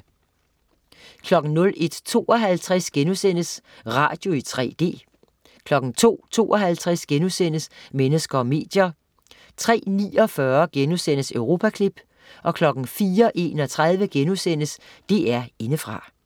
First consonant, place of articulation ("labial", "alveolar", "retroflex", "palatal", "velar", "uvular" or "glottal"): velar